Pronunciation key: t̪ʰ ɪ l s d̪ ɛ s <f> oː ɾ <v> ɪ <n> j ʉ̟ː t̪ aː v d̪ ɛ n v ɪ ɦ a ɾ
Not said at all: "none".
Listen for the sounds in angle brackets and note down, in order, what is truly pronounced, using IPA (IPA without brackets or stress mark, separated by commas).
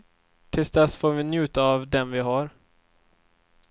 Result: f, v, n